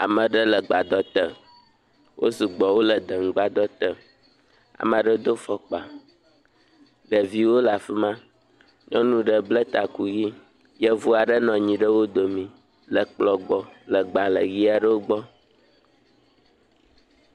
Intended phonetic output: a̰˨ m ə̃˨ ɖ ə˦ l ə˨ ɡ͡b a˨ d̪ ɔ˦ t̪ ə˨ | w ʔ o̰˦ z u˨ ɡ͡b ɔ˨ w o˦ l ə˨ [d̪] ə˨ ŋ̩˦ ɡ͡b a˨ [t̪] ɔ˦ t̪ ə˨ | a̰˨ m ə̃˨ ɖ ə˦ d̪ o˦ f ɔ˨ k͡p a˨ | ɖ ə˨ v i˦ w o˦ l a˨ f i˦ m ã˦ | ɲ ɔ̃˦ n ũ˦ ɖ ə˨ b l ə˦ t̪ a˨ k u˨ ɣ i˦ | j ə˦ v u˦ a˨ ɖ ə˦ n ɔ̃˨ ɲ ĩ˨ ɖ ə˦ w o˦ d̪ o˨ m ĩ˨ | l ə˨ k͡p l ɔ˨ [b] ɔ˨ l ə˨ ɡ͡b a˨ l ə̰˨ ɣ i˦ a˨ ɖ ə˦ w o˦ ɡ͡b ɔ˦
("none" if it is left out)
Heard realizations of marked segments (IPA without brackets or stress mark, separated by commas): d̪, d̪, ɡ͡b